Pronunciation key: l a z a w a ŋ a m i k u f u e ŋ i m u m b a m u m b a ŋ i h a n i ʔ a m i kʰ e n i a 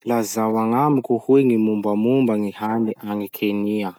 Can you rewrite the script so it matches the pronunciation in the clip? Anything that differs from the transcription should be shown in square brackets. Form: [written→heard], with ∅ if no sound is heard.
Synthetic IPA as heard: l a z a w a ŋ a m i k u [f→h] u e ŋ i m u m b a m u m b a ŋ i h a n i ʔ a [m→ŋ] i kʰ e n i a